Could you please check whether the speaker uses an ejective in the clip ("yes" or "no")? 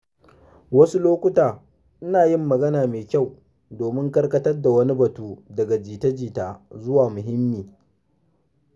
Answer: no